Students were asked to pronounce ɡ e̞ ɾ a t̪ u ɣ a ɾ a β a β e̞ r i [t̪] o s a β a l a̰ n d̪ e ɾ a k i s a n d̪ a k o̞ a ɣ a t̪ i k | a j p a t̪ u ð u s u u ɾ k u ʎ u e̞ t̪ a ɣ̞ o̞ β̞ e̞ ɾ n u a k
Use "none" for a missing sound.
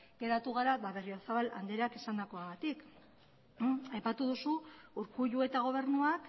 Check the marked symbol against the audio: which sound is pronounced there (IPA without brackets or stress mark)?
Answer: none